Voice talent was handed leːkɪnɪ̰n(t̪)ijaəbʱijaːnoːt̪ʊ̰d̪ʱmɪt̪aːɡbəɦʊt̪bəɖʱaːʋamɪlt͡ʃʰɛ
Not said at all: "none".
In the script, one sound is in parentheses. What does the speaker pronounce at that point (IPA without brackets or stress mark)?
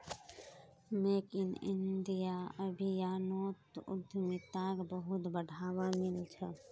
d̪